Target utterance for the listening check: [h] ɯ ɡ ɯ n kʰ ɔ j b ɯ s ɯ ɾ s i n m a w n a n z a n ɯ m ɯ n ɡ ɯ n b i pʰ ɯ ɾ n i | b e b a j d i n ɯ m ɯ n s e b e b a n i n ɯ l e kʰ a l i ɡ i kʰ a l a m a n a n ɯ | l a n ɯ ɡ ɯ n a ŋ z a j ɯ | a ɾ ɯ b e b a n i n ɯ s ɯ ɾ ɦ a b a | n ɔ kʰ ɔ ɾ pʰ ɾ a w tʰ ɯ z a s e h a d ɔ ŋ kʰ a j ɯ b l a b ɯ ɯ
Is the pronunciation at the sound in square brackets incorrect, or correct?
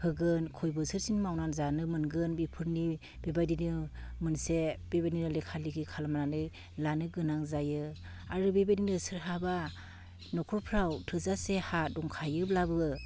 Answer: correct